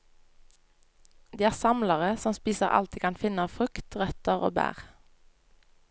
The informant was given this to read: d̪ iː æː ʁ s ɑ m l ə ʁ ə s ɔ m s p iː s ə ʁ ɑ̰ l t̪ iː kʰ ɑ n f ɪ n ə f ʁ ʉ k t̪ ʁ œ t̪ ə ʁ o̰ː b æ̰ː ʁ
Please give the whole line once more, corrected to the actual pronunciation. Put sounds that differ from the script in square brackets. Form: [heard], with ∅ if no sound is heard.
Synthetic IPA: d̪ iː æː ʁ s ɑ m l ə ʁ ə s ɔ m s p iː s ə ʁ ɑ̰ l t̪ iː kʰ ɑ n f ɪ n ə f ʁ ʉ k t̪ ʁ œ t̪ ə ʁ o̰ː b æ̰ː ʁ